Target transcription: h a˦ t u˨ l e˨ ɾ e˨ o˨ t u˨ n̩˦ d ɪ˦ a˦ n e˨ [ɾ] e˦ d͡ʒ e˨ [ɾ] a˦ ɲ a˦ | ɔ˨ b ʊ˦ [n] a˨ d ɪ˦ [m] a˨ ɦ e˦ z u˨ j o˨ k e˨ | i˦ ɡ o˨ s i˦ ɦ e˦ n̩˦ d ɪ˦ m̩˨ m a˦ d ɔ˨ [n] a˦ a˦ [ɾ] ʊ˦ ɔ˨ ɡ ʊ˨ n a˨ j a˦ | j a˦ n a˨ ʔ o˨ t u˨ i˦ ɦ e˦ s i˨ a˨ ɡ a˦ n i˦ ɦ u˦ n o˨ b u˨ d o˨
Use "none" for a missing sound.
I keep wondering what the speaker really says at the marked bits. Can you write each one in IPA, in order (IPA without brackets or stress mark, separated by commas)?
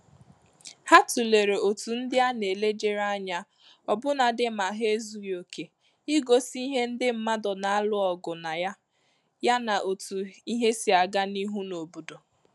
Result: l, ɾ, n, m, n, l